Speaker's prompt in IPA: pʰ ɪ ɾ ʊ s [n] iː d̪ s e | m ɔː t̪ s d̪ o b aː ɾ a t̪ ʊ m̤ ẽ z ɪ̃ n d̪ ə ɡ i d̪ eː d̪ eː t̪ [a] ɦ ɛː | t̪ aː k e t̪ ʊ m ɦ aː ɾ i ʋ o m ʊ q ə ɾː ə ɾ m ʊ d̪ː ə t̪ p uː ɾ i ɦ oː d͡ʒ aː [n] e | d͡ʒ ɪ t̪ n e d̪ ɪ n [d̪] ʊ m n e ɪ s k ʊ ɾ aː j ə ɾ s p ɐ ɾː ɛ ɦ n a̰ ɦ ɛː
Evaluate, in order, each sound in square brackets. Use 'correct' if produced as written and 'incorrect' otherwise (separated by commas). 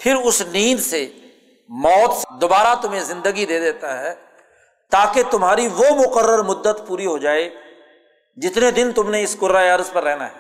correct, correct, incorrect, incorrect